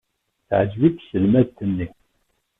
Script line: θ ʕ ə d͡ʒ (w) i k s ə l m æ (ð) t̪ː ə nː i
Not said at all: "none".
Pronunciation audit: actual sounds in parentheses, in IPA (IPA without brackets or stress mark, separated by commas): v, ð